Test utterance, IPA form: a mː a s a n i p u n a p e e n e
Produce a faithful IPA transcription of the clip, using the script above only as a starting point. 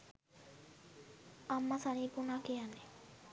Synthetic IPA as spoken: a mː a s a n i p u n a k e a n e